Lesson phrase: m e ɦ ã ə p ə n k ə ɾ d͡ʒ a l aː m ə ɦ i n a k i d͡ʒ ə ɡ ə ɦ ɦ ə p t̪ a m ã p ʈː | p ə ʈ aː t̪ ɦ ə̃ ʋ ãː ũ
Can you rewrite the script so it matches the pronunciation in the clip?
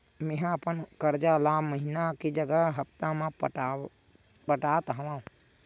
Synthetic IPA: m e ɦ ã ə p ə n k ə ɾ d͡ʒ a l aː m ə ɦ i n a k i d͡ʒ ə ɡ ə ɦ ɦ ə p t̪ a m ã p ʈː | p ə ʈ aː t̪ ɦ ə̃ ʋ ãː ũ